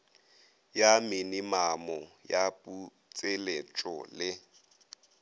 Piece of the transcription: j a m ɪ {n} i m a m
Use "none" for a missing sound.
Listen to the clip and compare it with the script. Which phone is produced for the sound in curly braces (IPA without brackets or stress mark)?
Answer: n